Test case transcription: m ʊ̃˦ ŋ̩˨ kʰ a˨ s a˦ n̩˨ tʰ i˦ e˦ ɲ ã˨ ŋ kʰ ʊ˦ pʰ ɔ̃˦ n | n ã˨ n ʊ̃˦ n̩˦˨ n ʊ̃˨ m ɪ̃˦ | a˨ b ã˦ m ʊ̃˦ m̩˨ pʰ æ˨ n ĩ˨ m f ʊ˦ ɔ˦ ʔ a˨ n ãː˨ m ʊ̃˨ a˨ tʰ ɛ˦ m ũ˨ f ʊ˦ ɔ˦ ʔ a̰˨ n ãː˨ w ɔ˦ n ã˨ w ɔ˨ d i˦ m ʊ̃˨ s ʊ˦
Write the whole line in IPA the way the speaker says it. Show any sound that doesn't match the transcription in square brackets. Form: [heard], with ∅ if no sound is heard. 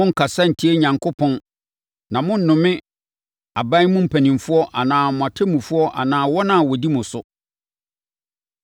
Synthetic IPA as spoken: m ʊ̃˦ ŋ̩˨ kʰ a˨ s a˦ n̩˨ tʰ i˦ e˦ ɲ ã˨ ŋ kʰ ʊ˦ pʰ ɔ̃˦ n | n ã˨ [m] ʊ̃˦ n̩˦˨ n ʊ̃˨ m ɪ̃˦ | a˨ b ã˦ m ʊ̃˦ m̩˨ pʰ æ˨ n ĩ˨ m f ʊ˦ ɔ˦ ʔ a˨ n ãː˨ m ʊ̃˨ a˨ tʰ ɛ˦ m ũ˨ f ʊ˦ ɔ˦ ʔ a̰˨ n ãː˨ w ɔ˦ n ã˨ w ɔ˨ d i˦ m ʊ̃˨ s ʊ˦